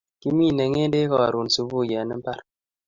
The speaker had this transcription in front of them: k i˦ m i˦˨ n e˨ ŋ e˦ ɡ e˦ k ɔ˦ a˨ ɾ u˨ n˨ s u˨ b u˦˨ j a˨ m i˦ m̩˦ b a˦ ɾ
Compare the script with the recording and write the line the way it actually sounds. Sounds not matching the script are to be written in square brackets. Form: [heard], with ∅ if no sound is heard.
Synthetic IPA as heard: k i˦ m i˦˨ n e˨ ŋ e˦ [d] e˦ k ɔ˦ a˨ ɾ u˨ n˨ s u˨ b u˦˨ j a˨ [n] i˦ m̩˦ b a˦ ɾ